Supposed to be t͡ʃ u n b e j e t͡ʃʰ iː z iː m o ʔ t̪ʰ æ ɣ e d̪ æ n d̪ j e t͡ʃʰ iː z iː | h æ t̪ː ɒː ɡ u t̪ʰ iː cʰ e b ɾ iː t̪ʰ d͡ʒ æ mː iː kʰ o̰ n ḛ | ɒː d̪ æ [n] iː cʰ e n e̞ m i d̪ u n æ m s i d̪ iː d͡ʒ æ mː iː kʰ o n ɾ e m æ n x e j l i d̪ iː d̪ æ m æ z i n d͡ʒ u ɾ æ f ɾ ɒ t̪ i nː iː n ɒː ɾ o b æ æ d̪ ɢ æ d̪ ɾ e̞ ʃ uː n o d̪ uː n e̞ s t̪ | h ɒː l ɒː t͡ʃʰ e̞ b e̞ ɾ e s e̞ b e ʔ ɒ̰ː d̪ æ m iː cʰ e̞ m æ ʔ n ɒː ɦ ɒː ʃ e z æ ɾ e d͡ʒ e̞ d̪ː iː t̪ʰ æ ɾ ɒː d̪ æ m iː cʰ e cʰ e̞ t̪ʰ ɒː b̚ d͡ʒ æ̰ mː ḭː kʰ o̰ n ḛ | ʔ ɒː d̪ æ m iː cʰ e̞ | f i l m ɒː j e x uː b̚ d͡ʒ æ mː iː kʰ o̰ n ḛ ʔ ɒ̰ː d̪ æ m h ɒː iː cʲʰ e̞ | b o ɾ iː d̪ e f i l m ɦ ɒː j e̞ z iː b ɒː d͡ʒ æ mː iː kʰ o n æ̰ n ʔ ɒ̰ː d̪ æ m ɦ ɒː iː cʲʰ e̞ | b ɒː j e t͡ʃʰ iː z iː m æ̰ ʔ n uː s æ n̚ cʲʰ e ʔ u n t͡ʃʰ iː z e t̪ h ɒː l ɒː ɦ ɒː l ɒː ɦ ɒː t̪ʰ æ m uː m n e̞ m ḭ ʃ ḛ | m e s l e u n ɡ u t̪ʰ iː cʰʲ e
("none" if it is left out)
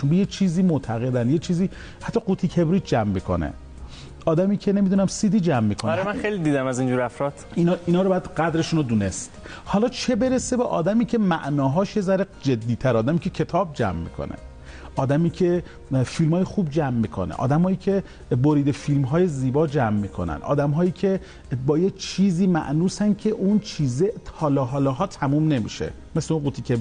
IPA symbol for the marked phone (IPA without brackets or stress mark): m